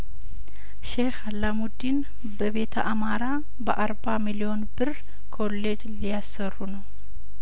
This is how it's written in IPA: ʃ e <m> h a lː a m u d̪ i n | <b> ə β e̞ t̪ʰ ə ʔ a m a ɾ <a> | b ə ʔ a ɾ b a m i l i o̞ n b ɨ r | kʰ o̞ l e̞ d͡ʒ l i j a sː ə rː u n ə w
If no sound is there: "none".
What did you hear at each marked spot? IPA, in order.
none, b, a

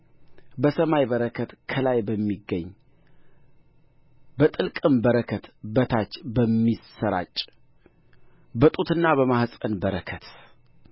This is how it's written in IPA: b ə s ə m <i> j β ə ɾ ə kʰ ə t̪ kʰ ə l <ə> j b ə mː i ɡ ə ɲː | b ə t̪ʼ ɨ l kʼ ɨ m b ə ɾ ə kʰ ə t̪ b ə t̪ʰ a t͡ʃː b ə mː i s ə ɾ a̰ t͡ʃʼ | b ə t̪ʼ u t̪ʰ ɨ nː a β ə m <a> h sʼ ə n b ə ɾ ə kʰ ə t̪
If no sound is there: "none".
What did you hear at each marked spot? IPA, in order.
a, a, a

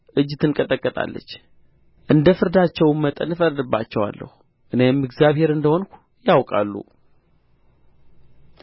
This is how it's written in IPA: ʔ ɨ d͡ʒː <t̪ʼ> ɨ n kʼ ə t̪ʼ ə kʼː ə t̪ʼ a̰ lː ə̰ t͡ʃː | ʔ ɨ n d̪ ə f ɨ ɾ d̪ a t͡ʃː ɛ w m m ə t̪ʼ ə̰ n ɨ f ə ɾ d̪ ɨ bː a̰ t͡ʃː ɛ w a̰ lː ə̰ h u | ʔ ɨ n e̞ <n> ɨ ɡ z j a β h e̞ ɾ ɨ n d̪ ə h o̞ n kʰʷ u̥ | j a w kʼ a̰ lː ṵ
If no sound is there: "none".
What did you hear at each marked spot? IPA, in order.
t̪, m

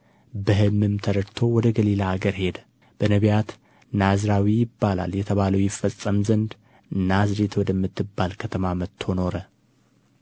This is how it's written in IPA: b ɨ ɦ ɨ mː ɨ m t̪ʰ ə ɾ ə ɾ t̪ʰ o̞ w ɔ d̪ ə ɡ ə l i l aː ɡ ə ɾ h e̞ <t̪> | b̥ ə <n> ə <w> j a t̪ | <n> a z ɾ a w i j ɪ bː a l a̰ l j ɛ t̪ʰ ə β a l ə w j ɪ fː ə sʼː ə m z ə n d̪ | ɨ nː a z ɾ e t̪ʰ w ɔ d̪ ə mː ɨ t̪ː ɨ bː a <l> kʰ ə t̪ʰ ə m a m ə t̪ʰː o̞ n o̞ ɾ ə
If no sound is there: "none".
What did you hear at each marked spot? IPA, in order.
d̪, n, β, n, l

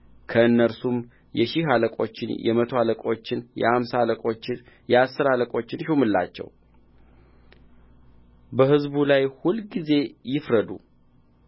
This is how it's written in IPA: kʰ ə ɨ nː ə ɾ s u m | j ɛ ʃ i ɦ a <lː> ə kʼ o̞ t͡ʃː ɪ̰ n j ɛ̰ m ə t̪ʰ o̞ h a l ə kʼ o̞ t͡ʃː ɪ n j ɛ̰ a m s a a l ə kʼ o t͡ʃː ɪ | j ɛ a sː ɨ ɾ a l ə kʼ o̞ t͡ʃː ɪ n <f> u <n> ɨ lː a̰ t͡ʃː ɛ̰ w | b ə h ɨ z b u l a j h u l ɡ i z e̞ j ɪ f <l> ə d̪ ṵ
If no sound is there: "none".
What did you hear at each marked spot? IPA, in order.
l, ʃ, m, ɾ

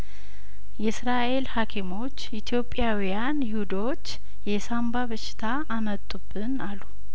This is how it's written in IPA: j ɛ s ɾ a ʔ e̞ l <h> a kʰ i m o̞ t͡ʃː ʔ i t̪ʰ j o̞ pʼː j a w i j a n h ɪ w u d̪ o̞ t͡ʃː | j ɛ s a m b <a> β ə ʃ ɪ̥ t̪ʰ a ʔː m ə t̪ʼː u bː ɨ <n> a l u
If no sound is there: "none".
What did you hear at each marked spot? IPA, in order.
h, a, n

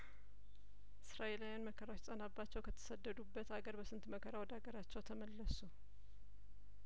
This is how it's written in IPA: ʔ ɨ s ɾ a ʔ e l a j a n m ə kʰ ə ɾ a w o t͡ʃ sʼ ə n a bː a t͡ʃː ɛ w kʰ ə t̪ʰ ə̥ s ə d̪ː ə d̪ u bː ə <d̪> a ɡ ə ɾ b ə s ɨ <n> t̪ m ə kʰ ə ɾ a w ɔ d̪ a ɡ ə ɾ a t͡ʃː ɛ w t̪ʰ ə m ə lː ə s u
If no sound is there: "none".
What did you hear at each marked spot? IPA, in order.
t̪, n

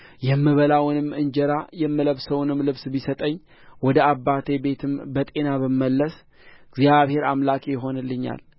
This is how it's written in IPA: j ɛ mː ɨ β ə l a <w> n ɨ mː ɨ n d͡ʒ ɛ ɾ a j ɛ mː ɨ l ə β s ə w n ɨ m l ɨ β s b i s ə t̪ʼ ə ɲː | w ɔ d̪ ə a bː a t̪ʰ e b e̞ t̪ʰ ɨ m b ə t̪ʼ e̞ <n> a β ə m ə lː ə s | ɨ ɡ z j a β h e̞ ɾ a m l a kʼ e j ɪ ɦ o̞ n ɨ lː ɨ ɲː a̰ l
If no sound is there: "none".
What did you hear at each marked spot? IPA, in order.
w, n

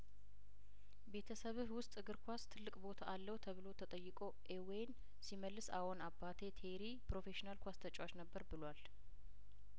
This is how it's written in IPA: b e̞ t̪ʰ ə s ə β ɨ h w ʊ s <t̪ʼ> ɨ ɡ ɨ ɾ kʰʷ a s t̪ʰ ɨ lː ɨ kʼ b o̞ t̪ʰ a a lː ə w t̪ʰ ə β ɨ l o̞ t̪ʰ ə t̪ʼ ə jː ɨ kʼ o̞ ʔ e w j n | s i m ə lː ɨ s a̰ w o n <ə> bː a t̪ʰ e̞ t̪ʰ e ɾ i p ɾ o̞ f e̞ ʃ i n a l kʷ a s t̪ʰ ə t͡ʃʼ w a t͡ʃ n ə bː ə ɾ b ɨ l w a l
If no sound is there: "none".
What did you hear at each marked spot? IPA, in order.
t̪ʼ, a

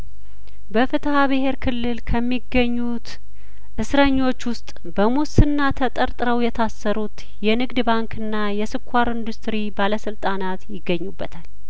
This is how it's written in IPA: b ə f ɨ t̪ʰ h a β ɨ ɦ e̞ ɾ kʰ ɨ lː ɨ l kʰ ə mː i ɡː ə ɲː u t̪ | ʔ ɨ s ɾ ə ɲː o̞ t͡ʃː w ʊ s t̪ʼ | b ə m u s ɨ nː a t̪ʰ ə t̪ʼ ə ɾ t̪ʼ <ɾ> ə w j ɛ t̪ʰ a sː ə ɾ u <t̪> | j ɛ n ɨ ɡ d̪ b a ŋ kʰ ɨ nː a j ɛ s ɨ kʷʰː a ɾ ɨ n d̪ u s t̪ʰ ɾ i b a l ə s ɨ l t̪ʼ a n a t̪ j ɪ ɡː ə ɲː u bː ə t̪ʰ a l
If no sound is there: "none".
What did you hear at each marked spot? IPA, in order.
ɾ, t̪

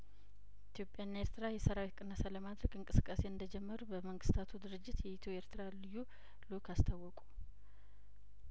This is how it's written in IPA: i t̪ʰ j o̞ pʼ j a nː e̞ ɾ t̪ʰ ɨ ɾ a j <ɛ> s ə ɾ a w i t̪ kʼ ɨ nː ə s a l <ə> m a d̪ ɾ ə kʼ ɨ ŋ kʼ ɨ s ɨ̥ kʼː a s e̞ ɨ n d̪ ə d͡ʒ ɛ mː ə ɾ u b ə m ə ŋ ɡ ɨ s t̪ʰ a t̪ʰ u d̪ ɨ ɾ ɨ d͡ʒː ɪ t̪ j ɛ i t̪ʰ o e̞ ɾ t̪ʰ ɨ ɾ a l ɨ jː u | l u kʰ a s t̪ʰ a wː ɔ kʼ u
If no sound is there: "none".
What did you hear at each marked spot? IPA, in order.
ɛ, ə

